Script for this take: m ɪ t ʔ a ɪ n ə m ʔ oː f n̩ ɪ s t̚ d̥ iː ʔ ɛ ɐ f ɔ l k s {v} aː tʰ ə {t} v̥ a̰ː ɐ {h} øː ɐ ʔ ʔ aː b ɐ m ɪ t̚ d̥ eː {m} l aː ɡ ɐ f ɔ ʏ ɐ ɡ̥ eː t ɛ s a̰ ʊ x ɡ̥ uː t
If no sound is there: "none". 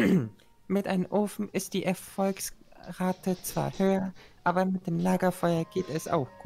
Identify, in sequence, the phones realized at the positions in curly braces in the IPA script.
ʁ, t͡s, h, m

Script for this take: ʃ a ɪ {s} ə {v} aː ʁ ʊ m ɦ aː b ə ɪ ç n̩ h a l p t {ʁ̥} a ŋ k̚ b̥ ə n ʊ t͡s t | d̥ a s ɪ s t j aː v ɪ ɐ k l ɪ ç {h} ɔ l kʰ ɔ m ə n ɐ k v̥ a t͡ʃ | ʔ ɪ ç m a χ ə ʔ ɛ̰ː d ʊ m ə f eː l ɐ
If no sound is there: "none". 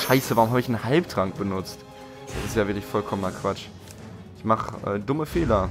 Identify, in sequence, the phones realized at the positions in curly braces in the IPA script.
s, v, ʁ̥, f

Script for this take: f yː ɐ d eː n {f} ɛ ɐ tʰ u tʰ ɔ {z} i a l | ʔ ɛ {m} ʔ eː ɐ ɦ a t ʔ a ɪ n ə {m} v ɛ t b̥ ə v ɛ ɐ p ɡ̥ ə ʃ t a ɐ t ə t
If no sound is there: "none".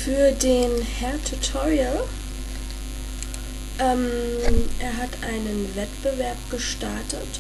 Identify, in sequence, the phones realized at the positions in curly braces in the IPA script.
h, ʁ, m, n

